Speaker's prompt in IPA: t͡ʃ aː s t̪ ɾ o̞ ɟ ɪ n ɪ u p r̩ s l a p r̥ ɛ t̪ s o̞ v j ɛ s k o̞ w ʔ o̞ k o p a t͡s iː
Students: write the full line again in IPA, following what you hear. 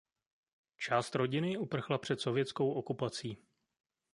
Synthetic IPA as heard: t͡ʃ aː s t̪ ɾ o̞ ɟ ɪ n ɪ u p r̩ x l a p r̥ ɛ t̪ s o̞ v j ɛ t͡s k o̞ w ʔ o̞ k u p a t͡s iː